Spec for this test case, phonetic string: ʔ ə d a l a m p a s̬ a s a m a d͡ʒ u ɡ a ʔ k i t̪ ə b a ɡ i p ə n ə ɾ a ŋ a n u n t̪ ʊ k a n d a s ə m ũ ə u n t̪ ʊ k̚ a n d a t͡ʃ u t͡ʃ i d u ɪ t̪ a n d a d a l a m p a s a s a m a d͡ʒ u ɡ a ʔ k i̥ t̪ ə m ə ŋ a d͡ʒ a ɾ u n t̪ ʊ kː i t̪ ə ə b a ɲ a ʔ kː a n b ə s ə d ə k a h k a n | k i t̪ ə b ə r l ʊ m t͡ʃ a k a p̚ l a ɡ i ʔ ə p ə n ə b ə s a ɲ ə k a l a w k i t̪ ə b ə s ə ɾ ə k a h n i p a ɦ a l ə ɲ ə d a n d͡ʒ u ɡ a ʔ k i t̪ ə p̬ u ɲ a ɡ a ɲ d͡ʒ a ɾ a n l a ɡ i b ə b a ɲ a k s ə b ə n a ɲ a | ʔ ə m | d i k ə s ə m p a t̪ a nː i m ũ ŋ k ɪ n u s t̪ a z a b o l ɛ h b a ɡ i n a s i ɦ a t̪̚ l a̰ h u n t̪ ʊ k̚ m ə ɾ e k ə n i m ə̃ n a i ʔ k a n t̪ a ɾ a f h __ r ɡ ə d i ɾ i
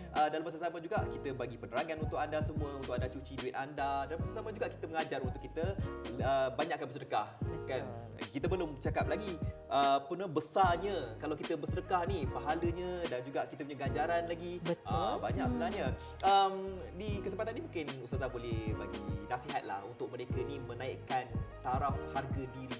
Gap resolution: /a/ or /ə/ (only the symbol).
a